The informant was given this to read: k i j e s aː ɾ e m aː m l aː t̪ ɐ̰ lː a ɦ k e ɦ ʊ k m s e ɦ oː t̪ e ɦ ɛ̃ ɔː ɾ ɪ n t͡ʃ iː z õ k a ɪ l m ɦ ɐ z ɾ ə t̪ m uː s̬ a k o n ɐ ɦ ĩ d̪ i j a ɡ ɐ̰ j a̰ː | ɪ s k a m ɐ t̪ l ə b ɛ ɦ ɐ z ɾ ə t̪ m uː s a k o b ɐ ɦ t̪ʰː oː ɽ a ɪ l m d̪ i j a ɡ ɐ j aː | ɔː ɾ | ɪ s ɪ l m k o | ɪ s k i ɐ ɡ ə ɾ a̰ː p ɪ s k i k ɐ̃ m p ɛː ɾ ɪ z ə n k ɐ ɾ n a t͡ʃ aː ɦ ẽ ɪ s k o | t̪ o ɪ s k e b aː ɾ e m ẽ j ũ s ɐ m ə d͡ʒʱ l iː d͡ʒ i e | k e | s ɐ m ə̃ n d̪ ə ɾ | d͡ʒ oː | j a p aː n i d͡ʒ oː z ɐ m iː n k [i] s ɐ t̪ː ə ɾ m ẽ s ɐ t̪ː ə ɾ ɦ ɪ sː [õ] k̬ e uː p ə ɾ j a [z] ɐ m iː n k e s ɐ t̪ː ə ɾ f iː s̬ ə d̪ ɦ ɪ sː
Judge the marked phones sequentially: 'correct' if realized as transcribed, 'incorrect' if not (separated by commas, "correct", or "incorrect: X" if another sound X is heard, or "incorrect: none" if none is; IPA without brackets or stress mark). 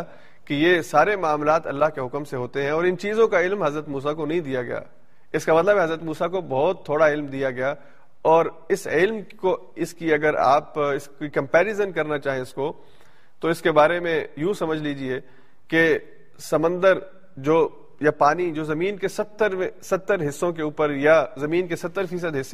incorrect: e, correct, correct